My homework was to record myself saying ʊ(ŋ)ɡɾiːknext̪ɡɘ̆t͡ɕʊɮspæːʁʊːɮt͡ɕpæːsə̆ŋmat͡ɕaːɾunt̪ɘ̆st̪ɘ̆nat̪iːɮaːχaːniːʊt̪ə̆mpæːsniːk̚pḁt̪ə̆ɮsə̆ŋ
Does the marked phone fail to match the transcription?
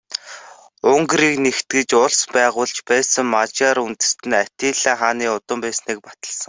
no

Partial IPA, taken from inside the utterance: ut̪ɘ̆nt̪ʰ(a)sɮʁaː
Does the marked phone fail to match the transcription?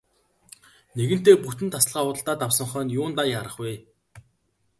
no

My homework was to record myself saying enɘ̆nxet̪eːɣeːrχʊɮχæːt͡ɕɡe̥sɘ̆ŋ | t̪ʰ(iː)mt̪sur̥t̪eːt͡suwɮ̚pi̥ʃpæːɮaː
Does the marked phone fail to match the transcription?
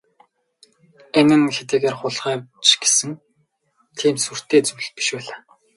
no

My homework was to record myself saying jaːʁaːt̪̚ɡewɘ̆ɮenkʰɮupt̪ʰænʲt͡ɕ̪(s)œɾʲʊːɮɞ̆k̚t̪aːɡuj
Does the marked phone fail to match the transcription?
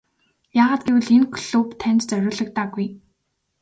yes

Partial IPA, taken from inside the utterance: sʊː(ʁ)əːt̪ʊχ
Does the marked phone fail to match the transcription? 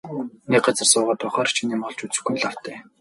no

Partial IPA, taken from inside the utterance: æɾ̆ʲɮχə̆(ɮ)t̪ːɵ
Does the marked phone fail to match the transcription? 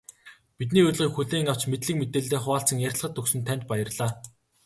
yes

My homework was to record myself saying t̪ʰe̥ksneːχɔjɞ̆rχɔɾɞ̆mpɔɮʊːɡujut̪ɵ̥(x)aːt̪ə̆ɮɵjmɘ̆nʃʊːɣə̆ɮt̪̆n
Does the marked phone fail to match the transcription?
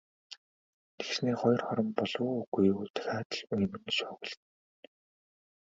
no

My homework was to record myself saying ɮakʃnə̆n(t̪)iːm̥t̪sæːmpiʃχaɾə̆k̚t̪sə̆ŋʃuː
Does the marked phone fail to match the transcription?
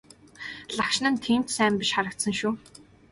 yes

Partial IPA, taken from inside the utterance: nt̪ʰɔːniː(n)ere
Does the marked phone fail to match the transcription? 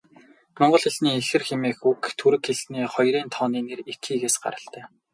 no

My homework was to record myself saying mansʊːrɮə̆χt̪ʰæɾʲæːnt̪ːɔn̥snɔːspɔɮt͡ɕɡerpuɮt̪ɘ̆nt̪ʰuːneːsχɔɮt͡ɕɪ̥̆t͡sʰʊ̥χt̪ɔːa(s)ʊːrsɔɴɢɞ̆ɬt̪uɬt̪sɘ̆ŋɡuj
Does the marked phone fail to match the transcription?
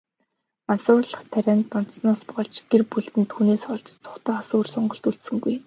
no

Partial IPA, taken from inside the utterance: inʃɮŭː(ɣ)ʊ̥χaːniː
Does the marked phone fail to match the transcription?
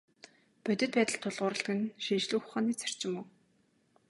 yes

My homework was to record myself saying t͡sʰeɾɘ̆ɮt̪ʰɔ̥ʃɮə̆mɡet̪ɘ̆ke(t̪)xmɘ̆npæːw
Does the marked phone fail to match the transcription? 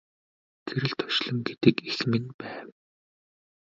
yes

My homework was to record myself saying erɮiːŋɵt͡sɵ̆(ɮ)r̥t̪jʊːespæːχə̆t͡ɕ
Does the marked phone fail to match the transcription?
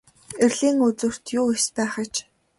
yes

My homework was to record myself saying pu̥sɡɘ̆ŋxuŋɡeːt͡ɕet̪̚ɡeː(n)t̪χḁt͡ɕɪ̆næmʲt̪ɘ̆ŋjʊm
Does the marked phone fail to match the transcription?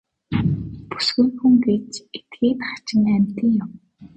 yes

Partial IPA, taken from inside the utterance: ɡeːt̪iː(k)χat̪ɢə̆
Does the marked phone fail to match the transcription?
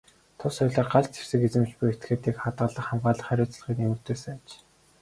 no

